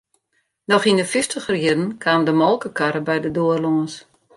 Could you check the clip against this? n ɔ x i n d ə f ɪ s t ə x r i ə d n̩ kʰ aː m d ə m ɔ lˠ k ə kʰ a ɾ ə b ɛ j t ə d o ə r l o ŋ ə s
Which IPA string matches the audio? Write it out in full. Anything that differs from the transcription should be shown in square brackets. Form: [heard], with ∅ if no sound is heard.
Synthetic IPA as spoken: n ɔ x i n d ə f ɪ s t ə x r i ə d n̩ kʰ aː m d ə m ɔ lˠ k ə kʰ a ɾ ə b ɛ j [d] ə d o ə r l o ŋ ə s